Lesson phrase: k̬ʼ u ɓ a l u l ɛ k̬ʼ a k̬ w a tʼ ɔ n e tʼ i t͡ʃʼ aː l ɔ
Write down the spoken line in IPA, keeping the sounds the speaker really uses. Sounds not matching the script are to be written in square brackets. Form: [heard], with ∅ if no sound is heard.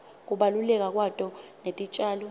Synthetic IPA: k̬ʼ u ɓ a l u l ɛ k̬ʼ a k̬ w a tʼ ɔ n e tʼ i t͡ʃʼ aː l ɔ